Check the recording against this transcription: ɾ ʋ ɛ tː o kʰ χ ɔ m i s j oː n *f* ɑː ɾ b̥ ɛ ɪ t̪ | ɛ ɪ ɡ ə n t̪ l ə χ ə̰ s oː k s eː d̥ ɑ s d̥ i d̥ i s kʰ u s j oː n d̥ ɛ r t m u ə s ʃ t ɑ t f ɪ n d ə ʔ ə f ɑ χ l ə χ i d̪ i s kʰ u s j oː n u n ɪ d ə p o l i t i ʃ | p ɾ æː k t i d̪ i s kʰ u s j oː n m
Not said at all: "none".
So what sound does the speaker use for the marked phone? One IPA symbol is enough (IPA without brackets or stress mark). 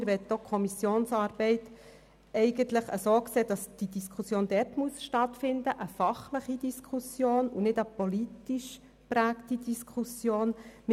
s